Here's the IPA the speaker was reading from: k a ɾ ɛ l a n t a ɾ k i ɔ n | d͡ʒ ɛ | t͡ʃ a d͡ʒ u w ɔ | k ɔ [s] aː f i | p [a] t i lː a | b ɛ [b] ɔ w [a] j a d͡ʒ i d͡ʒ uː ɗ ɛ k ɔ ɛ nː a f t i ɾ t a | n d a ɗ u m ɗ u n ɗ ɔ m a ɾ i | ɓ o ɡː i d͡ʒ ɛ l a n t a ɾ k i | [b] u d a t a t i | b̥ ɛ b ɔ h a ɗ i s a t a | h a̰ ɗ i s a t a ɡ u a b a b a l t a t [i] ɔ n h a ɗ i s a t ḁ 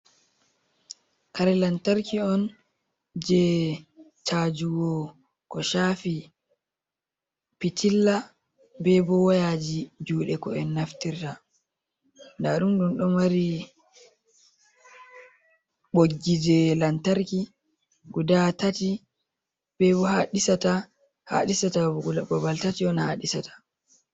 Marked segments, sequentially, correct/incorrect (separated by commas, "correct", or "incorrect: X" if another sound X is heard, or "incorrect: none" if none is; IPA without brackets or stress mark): incorrect: ʃ, incorrect: i, correct, correct, incorrect: ɡ, correct